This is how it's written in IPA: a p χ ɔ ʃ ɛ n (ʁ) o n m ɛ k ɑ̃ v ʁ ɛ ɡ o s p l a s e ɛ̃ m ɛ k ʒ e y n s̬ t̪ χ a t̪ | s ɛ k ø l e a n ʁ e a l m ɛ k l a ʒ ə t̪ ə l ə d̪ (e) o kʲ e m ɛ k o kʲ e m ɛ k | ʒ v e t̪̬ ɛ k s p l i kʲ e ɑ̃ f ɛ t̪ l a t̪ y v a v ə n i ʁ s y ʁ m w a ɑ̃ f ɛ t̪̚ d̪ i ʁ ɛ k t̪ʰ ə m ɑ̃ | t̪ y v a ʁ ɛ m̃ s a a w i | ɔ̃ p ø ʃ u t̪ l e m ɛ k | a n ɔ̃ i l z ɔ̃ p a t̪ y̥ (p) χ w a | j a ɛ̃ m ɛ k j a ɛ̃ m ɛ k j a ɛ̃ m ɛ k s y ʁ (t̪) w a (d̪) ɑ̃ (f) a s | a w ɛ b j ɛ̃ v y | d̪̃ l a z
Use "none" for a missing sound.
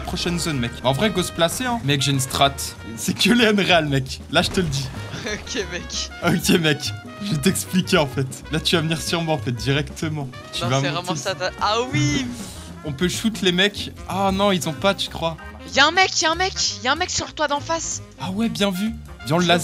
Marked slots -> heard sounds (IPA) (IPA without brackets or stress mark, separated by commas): z, i, k, t̪, d̪, f